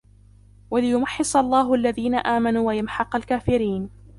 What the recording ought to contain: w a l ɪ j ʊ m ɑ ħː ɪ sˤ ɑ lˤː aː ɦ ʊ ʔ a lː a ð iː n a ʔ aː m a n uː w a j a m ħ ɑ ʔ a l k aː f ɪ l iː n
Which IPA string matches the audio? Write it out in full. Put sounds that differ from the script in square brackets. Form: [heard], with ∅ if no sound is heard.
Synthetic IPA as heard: w a l ɪ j ʊ m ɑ ħː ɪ sˤ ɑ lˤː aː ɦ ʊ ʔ a lː a ð iː n a ʔ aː m a n uː w a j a m ħ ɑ [q] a l k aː f ɪ [ɾ] iː n